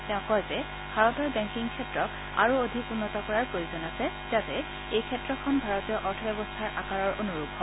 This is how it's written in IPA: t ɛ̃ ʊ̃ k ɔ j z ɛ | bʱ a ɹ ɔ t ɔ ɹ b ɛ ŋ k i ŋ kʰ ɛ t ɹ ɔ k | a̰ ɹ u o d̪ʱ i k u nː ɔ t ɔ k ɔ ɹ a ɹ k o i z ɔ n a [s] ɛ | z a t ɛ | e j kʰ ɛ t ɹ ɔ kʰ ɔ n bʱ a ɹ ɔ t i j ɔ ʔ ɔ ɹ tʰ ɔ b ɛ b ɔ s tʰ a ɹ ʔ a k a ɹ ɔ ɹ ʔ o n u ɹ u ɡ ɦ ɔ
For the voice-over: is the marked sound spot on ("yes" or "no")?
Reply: yes